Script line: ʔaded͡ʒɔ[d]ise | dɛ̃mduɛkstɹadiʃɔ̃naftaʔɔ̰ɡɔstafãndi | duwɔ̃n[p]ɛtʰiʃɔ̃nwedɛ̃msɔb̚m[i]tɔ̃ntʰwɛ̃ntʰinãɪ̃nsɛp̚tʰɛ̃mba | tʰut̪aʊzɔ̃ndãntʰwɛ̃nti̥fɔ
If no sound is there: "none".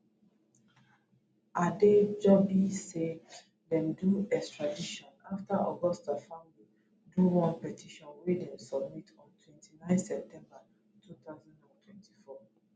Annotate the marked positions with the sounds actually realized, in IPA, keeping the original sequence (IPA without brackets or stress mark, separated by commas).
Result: b, p, i